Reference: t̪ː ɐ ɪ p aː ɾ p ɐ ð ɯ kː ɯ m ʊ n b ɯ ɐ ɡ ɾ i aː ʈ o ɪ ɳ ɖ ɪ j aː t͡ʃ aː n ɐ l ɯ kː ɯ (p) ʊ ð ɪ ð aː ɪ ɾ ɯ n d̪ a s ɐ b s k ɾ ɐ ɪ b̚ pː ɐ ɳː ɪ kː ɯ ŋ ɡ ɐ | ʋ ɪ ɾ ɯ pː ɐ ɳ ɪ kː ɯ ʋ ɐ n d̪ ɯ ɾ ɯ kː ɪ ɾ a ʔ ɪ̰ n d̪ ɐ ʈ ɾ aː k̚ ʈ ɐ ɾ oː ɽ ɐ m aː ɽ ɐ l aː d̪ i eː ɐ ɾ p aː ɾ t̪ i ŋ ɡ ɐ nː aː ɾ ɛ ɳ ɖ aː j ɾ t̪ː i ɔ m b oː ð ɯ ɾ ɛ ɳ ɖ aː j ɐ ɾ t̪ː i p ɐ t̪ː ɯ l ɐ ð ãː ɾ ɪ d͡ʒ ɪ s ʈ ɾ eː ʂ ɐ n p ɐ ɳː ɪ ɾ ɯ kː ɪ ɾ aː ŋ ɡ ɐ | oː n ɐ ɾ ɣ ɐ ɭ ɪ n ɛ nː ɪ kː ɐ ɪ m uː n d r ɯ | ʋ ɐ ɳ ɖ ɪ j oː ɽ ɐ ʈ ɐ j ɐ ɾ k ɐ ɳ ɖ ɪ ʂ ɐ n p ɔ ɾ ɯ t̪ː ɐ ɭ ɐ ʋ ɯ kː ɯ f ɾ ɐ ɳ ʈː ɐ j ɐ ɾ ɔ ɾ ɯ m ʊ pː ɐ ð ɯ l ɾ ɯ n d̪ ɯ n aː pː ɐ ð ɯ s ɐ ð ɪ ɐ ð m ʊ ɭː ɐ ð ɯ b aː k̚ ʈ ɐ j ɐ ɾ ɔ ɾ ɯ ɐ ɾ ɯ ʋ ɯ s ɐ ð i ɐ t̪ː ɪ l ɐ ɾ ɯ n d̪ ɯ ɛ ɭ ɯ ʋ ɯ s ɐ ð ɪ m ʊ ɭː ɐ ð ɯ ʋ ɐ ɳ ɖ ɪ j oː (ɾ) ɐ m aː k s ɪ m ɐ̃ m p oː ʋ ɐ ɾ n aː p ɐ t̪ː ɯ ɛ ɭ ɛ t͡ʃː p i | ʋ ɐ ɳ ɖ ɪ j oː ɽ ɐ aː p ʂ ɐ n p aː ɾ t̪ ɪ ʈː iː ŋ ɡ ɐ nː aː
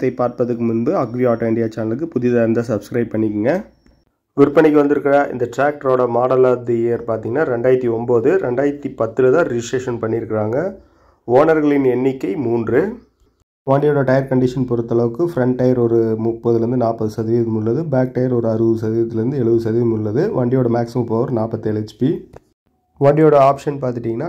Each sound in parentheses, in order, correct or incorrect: correct, incorrect: ɽ

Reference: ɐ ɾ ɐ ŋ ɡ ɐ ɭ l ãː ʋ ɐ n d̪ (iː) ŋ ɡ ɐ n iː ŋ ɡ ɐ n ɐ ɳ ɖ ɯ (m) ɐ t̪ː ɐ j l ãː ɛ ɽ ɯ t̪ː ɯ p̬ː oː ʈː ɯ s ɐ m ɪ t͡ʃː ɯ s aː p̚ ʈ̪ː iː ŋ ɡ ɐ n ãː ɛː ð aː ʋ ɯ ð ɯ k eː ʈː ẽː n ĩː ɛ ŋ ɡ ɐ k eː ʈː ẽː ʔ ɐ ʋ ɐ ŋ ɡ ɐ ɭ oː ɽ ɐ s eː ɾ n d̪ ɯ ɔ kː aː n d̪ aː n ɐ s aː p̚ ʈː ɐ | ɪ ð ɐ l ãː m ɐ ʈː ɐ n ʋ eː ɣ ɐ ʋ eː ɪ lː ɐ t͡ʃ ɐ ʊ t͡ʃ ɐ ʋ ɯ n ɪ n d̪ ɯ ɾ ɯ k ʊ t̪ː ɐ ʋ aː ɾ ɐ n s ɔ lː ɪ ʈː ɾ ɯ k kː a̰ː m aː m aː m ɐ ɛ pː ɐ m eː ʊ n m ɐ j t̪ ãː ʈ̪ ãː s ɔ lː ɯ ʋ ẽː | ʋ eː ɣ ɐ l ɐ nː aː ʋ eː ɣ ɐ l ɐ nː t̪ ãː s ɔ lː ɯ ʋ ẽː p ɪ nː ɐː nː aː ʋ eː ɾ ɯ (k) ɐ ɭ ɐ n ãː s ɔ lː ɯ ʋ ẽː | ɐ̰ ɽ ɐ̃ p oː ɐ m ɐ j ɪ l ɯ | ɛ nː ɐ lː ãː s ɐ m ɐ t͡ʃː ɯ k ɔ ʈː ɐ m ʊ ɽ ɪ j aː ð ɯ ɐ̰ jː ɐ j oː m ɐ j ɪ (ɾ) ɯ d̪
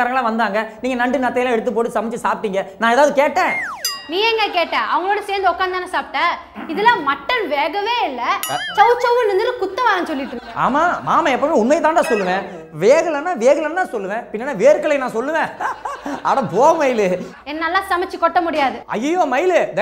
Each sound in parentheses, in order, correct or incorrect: incorrect: aː, incorrect: n, correct, incorrect: l

